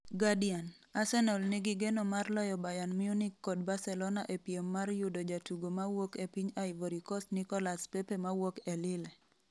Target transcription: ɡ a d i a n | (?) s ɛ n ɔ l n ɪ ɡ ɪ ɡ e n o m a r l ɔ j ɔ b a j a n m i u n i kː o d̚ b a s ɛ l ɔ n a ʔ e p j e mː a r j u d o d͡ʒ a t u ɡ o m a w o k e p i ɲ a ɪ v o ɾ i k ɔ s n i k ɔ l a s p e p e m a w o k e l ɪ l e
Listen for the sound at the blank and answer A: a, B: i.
A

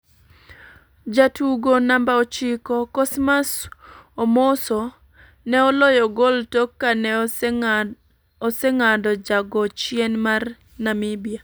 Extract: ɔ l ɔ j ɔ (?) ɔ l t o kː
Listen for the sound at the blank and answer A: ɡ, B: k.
A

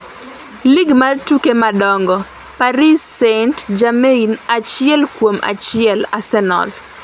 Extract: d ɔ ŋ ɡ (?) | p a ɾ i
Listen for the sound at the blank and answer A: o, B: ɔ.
B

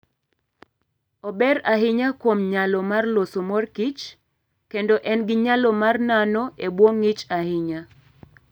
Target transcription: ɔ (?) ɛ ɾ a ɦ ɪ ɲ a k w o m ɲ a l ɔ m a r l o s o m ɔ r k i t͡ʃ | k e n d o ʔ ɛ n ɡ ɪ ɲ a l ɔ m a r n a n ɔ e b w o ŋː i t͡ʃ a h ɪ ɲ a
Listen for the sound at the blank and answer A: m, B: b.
B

